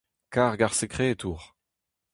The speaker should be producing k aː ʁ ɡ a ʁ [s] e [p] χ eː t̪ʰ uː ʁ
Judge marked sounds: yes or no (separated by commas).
yes, no